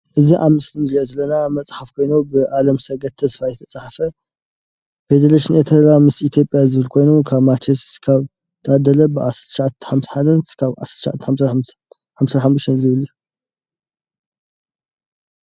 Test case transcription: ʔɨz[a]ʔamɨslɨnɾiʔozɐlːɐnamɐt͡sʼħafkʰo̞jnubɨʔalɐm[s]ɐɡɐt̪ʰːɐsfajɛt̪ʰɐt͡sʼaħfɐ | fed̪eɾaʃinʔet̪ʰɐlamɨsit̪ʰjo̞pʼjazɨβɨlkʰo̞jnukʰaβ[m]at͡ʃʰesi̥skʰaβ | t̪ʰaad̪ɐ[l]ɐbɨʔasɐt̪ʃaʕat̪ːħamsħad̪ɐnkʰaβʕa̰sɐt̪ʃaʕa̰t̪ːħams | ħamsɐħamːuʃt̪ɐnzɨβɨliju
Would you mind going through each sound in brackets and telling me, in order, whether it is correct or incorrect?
incorrect: i, correct, correct, correct

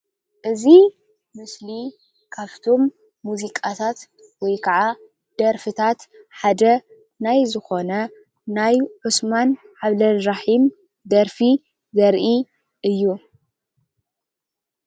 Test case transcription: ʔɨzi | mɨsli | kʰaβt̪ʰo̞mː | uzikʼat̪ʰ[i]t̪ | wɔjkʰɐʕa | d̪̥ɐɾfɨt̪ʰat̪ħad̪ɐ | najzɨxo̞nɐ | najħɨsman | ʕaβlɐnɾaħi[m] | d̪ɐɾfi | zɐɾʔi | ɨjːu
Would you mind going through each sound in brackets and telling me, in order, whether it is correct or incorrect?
incorrect: a, correct

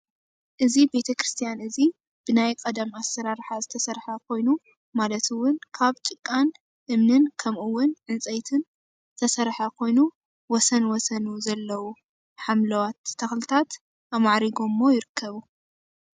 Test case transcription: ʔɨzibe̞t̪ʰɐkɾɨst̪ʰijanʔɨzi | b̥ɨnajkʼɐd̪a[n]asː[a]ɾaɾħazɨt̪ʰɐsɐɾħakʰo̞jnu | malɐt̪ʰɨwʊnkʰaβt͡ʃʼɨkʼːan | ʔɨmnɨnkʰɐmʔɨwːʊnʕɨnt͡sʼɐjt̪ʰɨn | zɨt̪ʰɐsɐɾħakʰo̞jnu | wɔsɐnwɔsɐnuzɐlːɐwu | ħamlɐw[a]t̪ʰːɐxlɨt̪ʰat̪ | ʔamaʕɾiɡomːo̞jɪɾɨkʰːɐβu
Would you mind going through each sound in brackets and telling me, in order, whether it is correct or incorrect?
incorrect: m, incorrect: ɐ, correct

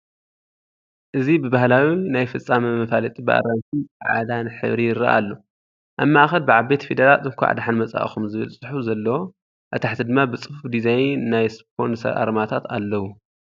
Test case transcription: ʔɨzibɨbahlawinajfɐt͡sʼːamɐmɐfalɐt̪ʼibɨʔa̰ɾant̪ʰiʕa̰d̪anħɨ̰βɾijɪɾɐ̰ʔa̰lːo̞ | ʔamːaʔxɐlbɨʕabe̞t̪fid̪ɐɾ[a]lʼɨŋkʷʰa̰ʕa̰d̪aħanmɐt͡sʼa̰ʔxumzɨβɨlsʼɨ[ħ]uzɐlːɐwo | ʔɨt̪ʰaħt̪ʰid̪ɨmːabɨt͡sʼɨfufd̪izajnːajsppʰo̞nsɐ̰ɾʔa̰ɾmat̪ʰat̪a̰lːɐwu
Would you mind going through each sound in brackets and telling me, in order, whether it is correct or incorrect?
correct, correct

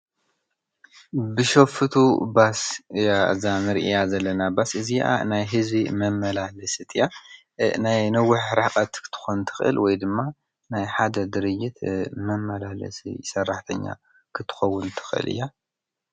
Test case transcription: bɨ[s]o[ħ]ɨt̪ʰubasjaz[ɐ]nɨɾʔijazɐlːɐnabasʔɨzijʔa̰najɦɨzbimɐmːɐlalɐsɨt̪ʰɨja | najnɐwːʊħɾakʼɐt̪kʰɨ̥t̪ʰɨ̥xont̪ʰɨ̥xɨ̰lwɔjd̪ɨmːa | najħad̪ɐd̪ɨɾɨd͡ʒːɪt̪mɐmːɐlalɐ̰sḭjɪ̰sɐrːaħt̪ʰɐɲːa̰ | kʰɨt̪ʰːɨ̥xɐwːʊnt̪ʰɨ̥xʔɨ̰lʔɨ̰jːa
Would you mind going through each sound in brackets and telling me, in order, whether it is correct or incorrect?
incorrect: ʃ, incorrect: f, incorrect: a

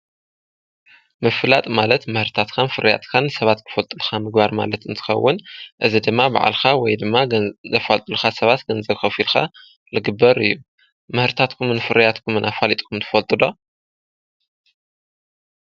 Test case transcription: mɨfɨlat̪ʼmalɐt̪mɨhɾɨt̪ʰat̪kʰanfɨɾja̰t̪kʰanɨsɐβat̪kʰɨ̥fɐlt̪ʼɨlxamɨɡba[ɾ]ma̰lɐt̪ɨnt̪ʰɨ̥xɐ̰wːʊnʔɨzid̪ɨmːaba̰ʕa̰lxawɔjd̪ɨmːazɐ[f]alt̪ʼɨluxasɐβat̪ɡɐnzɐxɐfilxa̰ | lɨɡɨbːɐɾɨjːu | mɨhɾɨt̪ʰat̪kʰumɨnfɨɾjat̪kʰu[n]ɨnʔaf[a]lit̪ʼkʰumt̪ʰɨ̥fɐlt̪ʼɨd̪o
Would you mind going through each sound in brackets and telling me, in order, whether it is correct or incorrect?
correct, correct, incorrect: m, correct

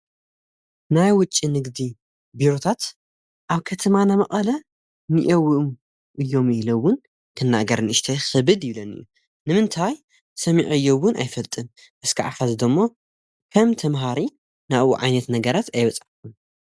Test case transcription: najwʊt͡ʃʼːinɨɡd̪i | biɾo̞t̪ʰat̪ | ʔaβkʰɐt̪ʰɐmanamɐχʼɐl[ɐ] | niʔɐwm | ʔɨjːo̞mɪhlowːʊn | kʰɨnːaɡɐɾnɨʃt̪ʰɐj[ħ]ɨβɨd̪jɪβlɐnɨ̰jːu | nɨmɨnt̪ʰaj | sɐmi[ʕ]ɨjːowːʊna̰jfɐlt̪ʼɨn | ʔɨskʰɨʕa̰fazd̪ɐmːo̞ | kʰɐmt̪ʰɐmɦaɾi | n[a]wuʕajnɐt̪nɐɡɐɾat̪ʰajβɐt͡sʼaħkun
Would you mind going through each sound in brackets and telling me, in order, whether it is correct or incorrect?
correct, incorrect: x, correct, correct

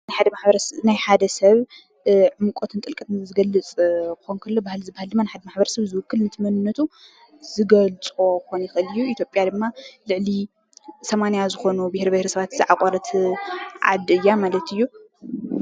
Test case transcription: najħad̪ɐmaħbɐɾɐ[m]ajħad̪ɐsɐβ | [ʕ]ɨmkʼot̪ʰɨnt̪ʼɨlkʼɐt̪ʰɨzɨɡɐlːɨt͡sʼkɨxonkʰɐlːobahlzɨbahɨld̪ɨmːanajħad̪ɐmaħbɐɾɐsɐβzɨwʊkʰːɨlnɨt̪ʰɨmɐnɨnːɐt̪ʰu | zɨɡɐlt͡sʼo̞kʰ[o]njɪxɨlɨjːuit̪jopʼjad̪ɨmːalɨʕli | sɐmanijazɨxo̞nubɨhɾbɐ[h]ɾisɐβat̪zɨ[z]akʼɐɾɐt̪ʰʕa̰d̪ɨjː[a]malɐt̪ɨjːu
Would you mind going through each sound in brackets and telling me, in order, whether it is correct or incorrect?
incorrect: n, correct, correct, correct, incorrect: ʕ, correct

